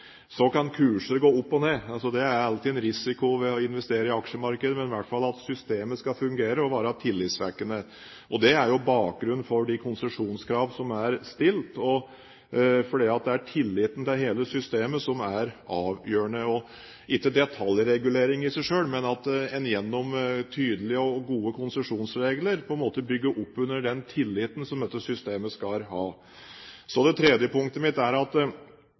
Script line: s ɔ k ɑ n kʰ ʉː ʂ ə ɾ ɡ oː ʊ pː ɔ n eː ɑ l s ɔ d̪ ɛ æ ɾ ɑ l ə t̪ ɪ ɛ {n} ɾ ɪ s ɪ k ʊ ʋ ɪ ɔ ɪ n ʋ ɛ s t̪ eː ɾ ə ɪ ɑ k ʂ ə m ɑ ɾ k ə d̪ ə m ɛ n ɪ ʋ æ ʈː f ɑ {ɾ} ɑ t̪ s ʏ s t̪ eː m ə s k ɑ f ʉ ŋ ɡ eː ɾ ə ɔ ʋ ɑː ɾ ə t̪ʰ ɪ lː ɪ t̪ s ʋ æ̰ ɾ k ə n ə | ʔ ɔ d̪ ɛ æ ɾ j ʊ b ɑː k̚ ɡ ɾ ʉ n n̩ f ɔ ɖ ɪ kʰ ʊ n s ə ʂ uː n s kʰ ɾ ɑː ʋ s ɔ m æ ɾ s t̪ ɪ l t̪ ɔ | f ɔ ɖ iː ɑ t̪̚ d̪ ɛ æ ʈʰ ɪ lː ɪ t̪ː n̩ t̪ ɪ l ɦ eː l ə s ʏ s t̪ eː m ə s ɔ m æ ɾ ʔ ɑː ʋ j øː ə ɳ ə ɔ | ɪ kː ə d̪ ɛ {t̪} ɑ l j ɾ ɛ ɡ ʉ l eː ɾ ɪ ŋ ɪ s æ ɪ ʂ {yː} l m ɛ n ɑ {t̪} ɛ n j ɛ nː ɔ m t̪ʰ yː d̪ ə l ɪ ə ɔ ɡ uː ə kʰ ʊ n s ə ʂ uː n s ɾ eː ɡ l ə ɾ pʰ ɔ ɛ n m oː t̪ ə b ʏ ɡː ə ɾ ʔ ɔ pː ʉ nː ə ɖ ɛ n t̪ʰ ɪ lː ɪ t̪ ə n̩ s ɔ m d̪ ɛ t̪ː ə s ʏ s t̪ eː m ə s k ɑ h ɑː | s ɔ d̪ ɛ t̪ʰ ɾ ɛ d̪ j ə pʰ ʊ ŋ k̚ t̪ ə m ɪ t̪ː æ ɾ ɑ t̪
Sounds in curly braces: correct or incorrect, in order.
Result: correct, incorrect, incorrect, incorrect, correct

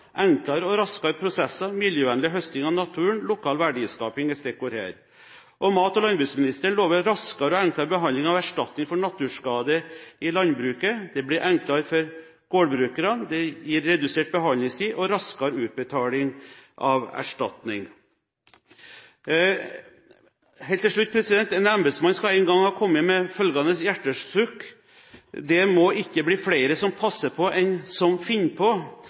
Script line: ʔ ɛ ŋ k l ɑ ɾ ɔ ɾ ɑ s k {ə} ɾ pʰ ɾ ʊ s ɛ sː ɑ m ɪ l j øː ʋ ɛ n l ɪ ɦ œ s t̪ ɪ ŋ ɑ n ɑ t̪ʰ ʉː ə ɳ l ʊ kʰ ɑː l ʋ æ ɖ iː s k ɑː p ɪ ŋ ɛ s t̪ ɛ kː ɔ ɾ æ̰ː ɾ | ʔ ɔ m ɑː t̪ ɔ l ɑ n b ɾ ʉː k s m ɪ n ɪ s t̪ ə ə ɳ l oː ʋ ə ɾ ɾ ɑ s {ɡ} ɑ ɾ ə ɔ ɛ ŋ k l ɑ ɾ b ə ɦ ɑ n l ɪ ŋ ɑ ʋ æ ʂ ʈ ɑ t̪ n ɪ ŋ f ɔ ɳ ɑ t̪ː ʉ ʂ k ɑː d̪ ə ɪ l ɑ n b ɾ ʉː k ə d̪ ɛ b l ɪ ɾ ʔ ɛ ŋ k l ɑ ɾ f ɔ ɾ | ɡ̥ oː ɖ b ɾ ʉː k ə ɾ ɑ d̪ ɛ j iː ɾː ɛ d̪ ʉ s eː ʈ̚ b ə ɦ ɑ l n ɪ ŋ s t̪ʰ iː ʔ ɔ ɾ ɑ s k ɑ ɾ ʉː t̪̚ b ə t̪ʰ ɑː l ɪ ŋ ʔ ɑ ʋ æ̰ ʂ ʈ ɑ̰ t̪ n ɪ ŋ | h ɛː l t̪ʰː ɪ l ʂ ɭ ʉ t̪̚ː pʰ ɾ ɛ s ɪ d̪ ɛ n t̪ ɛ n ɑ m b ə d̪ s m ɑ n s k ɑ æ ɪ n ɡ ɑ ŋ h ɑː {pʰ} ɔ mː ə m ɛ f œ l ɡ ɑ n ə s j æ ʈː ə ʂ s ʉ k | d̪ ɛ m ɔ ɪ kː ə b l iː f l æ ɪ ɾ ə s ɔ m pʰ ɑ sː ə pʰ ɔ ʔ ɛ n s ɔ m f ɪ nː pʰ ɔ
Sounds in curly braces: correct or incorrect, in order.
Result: incorrect, incorrect, incorrect

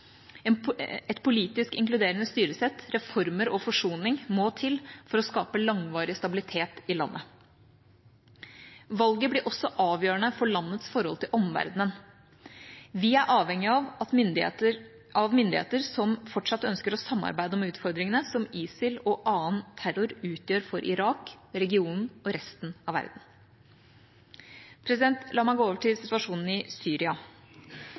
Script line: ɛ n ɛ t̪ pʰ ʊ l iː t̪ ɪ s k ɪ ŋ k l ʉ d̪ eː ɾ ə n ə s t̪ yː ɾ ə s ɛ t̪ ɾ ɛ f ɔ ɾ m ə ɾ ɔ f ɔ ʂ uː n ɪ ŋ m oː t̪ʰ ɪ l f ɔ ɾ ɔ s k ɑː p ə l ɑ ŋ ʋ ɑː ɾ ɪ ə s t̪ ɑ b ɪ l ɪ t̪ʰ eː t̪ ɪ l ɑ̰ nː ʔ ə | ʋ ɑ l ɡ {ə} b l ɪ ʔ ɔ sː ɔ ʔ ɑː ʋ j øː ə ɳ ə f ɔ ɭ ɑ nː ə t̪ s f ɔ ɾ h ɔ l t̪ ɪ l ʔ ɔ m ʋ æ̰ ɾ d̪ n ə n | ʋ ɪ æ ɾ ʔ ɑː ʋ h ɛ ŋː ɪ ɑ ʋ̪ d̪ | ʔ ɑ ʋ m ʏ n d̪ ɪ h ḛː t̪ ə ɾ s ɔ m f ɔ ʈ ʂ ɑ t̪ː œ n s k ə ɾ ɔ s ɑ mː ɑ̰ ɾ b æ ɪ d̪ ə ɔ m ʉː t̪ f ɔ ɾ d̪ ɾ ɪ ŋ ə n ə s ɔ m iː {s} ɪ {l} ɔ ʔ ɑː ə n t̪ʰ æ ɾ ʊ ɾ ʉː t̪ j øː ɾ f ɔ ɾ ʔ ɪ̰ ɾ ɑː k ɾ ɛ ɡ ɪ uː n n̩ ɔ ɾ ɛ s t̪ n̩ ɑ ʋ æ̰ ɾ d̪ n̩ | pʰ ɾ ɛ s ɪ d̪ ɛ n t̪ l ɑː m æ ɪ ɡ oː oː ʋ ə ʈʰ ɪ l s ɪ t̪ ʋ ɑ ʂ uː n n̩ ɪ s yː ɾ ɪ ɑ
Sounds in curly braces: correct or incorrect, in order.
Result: correct, correct, correct

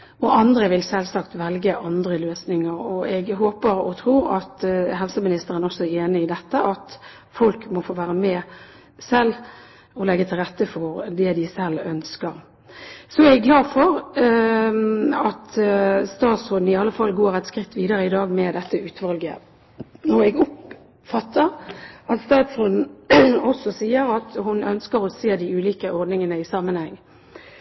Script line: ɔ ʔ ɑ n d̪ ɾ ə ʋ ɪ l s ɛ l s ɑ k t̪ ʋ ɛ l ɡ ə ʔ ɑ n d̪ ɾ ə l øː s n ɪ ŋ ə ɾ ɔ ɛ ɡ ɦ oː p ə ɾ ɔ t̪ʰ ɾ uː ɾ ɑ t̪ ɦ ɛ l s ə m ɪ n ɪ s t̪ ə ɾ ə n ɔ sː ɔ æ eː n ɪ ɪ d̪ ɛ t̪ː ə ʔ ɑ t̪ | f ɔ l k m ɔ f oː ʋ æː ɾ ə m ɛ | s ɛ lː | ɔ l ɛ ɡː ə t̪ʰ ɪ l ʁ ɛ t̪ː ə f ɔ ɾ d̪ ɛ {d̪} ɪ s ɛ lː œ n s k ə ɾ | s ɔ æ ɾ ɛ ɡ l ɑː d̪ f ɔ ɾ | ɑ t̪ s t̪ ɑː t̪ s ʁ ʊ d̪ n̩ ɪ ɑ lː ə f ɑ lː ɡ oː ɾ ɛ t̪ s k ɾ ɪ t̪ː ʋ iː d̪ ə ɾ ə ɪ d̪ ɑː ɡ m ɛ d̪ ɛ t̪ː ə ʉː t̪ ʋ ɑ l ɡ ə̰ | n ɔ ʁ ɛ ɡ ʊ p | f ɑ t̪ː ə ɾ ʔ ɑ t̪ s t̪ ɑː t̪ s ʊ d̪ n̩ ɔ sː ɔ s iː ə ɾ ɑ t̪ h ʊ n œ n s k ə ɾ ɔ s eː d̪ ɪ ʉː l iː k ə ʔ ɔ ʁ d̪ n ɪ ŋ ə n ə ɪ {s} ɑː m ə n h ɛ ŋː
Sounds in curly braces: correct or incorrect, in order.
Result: correct, correct

